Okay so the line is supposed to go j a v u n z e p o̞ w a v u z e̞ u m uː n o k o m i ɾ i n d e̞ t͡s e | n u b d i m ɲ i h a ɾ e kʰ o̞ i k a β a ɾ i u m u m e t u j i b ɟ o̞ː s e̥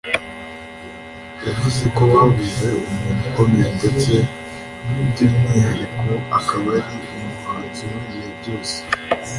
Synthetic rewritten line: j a v u z e k o̞ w a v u z e̞ u m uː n u k o m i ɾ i n d e̞ t͡s e | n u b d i m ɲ i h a ɾ i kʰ o̞ a k a β a ɾ i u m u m a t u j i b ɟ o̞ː s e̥